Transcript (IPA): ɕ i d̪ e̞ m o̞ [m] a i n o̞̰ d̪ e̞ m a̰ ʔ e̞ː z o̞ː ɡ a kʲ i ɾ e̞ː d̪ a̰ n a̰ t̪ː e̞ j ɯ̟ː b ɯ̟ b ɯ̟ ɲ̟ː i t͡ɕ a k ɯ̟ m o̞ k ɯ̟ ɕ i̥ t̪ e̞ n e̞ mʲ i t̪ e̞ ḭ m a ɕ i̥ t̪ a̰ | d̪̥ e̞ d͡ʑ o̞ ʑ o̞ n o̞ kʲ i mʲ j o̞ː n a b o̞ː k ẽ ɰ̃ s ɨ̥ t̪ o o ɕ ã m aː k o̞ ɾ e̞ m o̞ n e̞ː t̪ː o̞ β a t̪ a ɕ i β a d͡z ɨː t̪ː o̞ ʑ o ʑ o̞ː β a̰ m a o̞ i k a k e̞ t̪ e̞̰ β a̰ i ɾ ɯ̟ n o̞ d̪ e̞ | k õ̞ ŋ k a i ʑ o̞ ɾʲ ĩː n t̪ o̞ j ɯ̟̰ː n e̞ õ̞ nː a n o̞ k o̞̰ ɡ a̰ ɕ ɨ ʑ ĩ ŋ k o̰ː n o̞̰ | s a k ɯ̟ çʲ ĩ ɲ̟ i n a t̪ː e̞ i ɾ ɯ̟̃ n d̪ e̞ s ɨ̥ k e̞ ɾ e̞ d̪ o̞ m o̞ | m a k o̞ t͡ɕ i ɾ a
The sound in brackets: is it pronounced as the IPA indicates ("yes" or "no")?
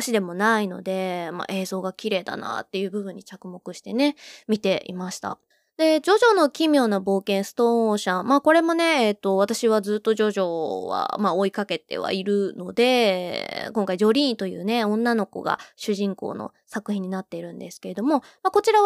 no